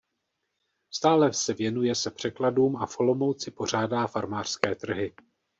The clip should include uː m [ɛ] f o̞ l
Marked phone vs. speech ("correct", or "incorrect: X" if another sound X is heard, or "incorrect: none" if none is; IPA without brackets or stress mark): incorrect: a